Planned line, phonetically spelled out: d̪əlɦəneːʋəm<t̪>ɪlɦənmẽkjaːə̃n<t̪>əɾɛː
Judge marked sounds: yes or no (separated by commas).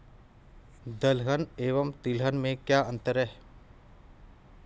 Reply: yes, yes